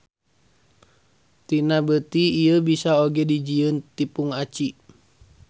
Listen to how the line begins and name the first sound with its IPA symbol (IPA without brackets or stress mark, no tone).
t̪